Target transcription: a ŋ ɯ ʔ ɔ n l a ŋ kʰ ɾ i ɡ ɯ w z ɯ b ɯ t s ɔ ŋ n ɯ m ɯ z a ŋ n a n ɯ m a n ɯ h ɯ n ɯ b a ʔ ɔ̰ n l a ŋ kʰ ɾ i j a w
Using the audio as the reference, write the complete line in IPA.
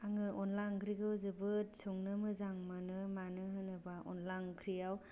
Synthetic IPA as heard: a ŋ ɯ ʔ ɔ n l a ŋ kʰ ɾ i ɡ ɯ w z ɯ b ɯ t s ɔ ŋ n ɯ m ɯ z a ŋ m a n ɯ m a n ɯ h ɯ n ɯ b a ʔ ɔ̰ n l a ŋ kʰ ɾ i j a w